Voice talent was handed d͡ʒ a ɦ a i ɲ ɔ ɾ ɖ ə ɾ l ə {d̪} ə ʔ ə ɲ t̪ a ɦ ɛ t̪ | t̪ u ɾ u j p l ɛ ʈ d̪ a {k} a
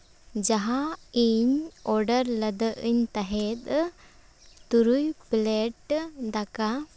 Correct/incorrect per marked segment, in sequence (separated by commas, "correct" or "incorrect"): correct, correct